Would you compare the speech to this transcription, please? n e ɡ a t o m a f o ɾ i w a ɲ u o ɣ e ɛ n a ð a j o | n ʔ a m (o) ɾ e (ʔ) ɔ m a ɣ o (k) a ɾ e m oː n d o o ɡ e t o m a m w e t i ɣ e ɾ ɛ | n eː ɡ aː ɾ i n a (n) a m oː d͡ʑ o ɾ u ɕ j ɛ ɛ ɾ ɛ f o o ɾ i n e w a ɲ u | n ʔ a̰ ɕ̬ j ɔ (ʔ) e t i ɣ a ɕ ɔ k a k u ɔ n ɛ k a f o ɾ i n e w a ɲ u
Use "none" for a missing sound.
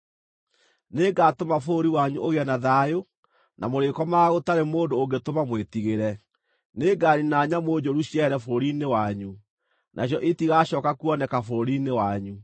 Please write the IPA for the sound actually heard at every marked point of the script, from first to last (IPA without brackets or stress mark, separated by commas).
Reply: o, k, t, ɲ, ʔ